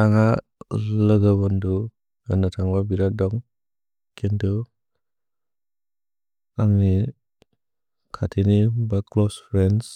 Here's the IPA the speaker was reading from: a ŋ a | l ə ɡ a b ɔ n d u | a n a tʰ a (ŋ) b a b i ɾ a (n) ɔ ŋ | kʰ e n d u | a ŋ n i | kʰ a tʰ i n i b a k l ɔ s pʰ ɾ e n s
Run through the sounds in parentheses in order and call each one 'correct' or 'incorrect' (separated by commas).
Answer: correct, incorrect